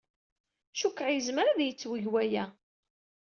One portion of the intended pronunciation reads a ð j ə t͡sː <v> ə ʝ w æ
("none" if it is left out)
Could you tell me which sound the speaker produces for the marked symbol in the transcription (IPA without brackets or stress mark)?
w